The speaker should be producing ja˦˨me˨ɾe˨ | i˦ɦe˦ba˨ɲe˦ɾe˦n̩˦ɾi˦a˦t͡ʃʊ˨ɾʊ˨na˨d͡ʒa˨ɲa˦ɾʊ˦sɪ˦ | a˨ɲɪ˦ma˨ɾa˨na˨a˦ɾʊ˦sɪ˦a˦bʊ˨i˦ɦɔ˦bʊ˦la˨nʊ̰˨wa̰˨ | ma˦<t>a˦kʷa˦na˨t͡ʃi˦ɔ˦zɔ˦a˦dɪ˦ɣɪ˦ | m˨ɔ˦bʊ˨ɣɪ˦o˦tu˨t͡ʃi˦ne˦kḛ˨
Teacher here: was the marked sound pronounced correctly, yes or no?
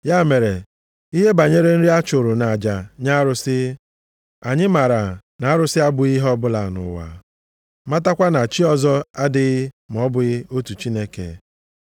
yes